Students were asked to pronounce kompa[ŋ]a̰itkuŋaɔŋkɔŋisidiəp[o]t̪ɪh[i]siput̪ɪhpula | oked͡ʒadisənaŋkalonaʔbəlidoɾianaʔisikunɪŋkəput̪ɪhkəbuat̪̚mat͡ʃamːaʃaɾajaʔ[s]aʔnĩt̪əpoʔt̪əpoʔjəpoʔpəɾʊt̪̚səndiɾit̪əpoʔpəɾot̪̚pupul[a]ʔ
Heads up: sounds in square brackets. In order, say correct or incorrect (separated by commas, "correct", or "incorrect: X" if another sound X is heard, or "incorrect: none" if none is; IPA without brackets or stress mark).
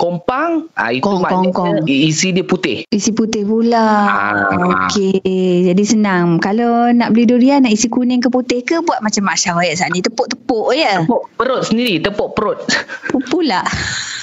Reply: correct, incorrect: u, correct, correct, correct